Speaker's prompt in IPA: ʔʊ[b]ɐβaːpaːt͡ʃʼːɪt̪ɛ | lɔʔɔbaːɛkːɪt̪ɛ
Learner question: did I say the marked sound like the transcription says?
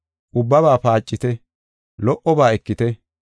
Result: no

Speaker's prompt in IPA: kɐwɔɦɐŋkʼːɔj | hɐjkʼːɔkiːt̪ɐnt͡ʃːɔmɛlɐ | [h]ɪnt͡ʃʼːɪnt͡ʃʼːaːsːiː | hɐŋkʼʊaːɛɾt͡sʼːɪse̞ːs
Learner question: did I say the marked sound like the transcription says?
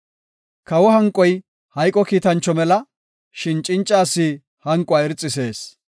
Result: no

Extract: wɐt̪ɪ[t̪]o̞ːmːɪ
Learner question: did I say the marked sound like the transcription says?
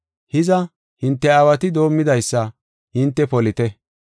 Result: no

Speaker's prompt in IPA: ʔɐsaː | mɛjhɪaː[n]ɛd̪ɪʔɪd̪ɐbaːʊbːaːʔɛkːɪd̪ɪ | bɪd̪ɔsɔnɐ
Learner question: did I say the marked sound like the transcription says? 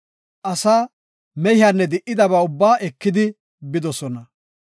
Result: no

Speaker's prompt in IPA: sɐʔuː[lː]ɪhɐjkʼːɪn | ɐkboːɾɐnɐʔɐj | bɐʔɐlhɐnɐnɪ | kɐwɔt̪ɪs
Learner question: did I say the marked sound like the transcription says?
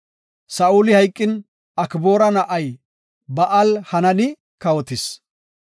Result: no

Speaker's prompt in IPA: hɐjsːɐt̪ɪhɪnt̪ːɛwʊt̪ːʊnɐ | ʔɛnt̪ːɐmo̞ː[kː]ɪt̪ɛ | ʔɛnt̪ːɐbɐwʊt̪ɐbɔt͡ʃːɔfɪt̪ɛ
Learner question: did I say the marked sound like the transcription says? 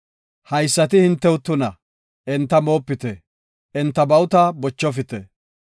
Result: no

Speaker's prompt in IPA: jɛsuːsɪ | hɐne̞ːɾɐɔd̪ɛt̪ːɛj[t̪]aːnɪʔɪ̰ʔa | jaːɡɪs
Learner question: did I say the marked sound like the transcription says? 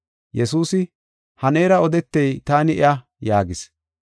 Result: yes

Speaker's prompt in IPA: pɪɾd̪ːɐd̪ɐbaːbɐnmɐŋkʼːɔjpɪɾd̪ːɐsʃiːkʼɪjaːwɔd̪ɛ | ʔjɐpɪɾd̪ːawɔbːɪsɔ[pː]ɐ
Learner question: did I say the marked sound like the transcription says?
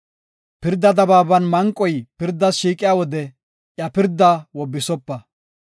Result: yes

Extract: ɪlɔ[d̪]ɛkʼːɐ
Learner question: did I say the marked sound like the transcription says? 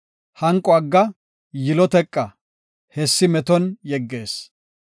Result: no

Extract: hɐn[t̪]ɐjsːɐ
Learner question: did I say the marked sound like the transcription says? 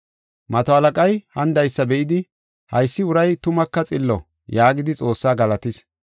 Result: no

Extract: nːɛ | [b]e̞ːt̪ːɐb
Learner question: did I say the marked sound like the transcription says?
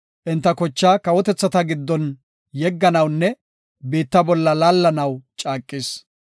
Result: yes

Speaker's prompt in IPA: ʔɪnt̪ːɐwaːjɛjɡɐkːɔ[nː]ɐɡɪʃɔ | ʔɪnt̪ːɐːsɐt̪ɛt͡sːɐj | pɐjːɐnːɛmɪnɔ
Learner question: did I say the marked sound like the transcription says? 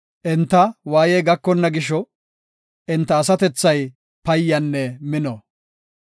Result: yes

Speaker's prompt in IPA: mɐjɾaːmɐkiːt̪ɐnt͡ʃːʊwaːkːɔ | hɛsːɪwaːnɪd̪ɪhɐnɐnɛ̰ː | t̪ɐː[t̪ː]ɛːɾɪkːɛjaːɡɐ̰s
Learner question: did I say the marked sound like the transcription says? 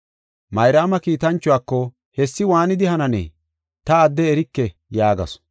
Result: no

